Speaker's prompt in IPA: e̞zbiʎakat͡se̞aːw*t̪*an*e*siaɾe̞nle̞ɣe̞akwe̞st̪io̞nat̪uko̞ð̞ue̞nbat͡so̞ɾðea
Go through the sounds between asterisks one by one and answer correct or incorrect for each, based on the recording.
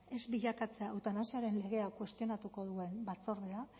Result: correct, incorrect

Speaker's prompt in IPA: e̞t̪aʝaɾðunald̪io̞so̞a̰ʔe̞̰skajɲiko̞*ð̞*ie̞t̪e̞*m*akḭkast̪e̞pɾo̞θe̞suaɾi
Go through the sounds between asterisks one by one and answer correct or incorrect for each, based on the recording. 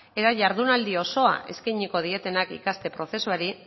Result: correct, incorrect

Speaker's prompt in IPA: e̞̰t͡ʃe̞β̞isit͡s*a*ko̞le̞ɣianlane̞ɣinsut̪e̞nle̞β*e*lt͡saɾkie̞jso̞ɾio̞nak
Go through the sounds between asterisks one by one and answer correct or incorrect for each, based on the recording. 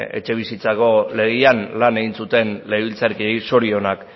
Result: correct, incorrect

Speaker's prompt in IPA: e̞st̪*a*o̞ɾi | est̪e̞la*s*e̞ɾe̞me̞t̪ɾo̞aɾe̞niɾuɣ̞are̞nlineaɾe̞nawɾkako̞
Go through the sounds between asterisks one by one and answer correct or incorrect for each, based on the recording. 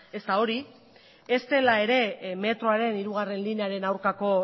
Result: correct, incorrect

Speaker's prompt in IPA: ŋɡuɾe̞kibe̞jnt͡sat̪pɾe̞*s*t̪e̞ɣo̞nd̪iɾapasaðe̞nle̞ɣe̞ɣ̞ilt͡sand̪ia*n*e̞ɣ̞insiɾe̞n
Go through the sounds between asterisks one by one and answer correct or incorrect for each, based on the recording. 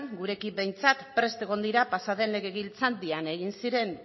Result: correct, correct

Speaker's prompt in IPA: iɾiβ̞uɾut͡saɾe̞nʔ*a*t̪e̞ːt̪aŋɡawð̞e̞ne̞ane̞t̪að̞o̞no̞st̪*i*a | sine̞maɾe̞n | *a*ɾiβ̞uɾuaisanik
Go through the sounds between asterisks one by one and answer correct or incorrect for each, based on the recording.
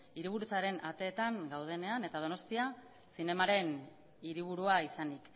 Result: correct, correct, incorrect

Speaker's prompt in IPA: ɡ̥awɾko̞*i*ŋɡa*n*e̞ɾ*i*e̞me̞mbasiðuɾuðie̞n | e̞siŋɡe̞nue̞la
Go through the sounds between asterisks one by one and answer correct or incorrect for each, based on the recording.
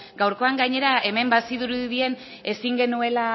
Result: incorrect, incorrect, incorrect

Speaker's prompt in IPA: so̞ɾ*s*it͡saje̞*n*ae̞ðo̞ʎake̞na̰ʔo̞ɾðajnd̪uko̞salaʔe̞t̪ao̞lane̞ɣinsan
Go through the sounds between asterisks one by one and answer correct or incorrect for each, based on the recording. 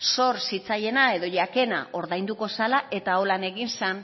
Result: correct, correct

